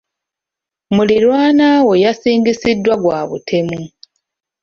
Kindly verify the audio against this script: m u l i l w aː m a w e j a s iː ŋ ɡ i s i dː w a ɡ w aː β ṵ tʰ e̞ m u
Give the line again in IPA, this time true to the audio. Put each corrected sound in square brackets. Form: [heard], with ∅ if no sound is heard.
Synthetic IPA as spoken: m u l i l w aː [n] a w e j a s iː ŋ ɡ i s i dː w a ɡ w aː β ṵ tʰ e̞ m u